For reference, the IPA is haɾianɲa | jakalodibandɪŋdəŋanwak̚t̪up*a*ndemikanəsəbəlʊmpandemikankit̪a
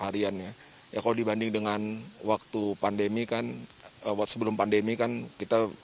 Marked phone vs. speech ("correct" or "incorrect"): correct